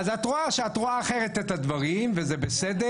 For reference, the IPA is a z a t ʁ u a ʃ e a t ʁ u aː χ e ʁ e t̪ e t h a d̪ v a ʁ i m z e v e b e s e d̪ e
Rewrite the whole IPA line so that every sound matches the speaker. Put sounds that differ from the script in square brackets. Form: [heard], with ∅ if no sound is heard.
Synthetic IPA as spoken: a z a t ʁ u a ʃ e a t ʁ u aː χ e ʁ e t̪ e t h a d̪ v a ʁ i m [v] e [z] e b e s e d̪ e